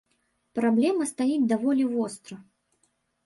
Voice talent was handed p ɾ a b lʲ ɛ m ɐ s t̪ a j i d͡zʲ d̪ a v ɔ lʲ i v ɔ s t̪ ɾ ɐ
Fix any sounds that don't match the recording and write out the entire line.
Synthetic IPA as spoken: p ɾ a b lʲ ɛ m ɐ s t̪ a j i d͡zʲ d̪ a v ɔ lʲ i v ɔ s t̪ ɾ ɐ